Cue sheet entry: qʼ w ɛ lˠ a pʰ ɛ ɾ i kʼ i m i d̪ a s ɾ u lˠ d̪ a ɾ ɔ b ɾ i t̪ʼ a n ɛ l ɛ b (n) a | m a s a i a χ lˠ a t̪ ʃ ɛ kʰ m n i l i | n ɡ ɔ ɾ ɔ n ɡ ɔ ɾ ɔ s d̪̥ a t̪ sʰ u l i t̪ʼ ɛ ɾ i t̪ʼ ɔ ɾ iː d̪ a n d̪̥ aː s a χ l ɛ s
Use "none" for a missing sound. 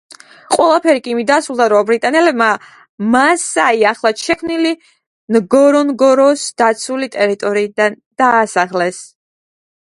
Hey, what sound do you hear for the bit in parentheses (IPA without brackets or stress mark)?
m